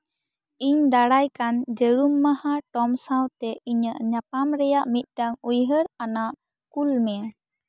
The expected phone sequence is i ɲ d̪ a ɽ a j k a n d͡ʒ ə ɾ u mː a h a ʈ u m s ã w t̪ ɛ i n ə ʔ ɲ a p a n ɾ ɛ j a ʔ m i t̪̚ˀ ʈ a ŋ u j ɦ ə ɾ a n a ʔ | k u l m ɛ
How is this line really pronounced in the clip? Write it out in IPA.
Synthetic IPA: i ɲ d̪ a ɽ a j k a n d͡ʒ ə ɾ u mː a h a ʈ ɔ m s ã w t̪ ɛ i ɲ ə ʔ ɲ a p a m ɾ ɛ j a ʔ m i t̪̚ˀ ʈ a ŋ u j ɦ ə ɾ a n a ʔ | k u l m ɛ